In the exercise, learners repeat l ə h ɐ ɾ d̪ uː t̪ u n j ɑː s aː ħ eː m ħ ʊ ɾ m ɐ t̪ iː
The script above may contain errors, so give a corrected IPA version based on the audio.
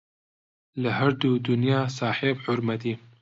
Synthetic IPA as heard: l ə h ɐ ɾ d̪ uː d̪ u n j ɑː s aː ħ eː b ħ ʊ ɾ m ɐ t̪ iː